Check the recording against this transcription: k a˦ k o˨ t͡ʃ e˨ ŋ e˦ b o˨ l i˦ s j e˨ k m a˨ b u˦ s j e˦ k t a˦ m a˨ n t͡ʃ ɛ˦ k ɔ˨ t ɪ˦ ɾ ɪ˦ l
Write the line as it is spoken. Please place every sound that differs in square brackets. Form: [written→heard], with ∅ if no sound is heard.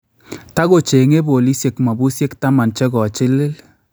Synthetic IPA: [k→t] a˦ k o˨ t͡ʃ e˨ ŋ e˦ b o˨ l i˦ s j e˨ k m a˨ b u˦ s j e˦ k t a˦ m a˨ n t͡ʃ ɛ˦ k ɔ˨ [t→t͡ʃ] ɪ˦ [ɾ→l] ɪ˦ l